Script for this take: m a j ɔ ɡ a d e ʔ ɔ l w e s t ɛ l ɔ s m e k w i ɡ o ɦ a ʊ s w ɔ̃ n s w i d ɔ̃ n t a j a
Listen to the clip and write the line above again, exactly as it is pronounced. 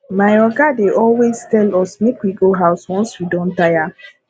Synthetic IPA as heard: m a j ɔ ɡ a d e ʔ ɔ l w e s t ɛ l ɔ s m e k w i ɡ o ɦ a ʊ s w ɔ̃ n s w i d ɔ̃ n t a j a

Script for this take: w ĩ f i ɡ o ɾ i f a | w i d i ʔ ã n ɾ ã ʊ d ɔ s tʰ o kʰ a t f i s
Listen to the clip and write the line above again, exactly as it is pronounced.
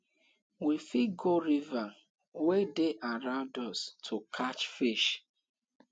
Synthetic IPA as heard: w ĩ f i ɡ o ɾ i v a | w e d e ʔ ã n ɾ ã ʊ d ɔ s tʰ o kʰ a t͡ʃ f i ʃ

